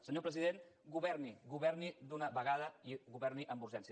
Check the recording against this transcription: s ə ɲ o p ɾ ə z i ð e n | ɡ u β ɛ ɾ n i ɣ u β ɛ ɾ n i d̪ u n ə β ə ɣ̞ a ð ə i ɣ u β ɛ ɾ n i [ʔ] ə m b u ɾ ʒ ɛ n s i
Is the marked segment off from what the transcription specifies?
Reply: no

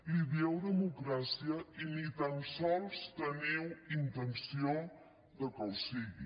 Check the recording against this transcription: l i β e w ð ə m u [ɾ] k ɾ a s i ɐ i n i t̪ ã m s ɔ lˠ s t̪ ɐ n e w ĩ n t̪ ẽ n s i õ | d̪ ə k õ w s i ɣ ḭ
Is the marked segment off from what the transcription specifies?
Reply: yes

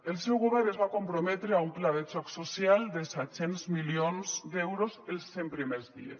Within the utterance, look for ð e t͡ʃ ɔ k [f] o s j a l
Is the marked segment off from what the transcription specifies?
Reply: yes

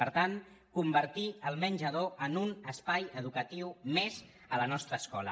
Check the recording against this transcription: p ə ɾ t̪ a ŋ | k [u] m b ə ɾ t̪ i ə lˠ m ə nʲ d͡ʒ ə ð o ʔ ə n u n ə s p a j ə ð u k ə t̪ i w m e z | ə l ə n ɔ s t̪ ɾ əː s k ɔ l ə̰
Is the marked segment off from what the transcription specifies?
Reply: no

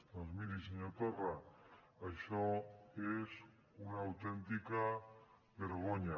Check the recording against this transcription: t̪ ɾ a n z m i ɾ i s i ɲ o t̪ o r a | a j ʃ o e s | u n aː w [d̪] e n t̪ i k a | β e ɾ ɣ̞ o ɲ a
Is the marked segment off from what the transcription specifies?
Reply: yes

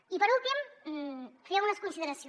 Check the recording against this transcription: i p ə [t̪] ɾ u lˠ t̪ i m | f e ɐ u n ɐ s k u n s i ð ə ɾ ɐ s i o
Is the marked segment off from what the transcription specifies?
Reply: yes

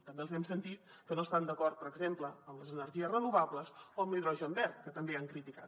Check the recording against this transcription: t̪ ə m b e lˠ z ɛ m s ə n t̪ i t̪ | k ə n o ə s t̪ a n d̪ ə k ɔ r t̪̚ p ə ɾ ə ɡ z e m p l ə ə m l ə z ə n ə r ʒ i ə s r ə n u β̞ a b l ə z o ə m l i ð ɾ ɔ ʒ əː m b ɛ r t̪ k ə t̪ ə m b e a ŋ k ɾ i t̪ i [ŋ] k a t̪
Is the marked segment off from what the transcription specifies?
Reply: yes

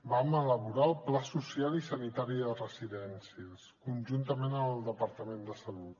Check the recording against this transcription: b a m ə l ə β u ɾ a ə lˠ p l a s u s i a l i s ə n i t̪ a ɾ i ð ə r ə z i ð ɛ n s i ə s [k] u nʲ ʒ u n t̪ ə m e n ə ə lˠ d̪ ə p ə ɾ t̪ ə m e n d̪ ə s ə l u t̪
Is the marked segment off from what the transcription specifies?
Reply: no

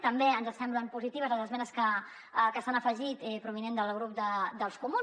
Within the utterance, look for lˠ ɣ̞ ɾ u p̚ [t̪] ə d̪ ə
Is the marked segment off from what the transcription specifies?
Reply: yes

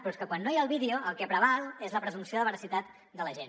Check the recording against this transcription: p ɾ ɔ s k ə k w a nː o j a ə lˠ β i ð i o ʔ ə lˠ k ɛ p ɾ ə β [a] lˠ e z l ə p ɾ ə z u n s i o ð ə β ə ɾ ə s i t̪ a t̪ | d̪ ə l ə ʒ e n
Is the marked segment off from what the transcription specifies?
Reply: no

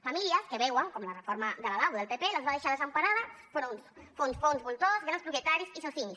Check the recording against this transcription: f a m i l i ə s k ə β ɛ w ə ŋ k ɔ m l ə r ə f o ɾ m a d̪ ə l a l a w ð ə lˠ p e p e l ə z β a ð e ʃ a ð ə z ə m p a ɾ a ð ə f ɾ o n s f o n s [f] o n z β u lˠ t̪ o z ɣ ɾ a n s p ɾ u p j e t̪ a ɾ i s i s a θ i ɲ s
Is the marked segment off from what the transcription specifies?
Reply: no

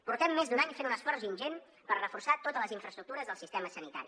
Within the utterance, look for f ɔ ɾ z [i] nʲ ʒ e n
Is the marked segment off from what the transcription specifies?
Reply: no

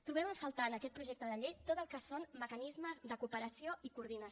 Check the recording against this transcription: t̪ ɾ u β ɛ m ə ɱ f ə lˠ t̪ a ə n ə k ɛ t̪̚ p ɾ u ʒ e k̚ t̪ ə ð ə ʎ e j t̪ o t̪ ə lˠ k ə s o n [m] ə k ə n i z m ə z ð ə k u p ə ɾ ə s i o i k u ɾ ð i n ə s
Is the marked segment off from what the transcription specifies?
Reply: no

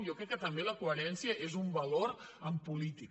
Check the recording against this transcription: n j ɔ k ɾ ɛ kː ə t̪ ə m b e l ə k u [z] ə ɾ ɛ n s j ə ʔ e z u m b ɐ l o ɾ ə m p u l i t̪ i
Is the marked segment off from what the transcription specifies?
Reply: yes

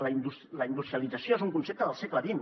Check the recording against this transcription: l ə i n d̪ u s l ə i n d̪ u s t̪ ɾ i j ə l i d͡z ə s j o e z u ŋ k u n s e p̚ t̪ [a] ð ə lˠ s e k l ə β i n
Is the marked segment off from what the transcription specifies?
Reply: yes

